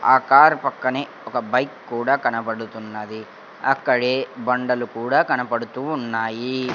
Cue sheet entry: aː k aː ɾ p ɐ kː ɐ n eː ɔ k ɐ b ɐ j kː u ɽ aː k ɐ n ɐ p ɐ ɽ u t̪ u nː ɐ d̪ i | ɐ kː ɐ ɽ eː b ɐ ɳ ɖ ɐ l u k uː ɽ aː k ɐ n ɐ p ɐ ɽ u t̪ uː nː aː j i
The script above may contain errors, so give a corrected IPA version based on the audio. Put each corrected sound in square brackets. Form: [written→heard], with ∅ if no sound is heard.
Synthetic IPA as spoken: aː k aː ɾ p ɐ kː ɐ n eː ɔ k ɐ b ɐ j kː [u→uː] ɽ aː k ɐ n ɐ p ɐ ɽ u t̪ u nː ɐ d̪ i | ɐ kː ɐ ɽ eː b ɐ ɳ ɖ ɐ l u k uː ɽ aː k ɐ n ɐ p ɐ ɽ u t̪ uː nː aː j i